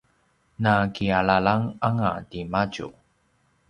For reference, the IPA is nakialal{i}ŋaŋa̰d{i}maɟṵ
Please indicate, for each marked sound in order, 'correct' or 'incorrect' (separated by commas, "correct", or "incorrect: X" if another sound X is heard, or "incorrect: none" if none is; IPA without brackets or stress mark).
incorrect: a, correct